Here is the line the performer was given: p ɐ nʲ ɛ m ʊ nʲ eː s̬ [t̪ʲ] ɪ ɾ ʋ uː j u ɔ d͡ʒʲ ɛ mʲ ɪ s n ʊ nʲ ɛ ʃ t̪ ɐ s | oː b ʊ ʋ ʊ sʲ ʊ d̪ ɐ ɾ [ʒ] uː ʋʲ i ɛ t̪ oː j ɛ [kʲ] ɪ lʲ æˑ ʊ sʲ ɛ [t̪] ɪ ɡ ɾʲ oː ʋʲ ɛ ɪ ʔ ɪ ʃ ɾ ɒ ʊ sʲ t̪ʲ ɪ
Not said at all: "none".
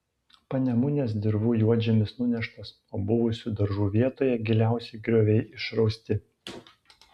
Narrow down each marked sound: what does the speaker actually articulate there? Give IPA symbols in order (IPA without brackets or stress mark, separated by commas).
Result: d̪ʲ, ʒ, ɡʲ, none